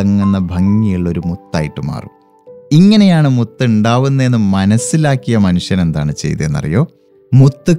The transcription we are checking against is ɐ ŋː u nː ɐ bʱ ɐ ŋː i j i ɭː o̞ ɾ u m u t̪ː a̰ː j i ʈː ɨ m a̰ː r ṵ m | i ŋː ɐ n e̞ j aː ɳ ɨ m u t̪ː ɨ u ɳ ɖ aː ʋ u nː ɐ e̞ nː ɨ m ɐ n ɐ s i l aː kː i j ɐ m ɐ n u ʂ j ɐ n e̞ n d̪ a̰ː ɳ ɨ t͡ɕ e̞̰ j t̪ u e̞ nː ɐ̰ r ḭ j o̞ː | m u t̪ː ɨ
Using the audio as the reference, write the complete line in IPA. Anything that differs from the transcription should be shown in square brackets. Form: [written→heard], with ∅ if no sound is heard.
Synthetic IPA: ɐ ŋː u nː ɐ bʱ ɐ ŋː i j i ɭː o̞ ɾ u m u t̪ː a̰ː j i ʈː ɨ m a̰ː r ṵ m | i ŋː ɐ n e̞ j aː ɳ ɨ m u t̪ː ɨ u ɳ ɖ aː ʋ u nː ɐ e̞ nː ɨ m ɐ n ɐ s i l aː kː i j ɐ m ɐ n u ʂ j ɐ n e̞ n d̪ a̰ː ɳ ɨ t͡ɕ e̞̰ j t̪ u e̞ nː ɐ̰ r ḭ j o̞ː | m u t̪ː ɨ